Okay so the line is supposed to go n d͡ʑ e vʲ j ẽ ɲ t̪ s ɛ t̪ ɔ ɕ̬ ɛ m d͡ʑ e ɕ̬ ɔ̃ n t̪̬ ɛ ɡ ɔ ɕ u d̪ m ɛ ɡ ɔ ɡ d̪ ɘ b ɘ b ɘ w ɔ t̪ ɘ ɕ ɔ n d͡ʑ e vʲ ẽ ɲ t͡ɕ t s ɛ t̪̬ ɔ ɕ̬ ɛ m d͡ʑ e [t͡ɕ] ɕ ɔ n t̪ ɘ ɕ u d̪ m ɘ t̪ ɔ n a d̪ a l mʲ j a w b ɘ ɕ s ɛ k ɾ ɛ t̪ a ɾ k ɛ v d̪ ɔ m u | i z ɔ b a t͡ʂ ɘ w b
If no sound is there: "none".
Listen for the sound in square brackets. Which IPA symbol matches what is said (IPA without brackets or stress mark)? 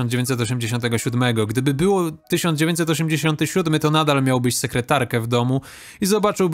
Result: none